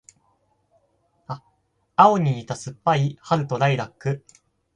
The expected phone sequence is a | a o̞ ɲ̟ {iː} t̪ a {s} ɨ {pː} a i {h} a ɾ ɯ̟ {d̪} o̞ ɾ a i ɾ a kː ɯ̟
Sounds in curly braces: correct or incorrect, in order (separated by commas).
correct, correct, correct, correct, incorrect